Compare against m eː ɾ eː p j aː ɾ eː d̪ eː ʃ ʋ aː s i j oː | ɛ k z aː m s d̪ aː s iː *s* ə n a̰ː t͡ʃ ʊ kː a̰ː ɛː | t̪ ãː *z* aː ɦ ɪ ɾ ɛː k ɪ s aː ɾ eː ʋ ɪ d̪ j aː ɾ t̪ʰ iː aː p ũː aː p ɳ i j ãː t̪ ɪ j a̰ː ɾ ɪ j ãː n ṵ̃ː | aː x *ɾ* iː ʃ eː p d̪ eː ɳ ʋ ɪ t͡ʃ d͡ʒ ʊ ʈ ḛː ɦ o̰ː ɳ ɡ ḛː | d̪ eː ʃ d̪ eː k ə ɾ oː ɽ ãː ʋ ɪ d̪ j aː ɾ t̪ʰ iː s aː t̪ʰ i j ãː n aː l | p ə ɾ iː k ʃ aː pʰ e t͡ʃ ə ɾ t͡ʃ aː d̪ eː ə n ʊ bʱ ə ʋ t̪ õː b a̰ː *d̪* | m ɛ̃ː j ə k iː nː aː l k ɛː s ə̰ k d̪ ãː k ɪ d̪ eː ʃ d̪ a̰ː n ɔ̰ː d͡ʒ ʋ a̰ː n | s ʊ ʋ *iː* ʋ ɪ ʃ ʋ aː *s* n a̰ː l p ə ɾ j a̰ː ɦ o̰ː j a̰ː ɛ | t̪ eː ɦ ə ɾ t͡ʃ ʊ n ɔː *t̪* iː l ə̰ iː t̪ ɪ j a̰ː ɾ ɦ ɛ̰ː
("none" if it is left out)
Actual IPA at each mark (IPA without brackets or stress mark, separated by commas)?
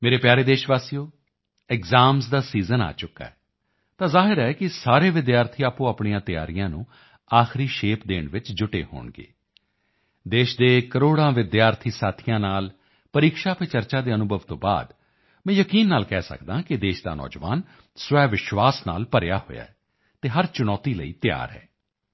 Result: z, z, ɾ, d̪, ɛː, s, t̪